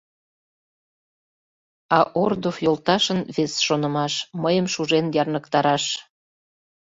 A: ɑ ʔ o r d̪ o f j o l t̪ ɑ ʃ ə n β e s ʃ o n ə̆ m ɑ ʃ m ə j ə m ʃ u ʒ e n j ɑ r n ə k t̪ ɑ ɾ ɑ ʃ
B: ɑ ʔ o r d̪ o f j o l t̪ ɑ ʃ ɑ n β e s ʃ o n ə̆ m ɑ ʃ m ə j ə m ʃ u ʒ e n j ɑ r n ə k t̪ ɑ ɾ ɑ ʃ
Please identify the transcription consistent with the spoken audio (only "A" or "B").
A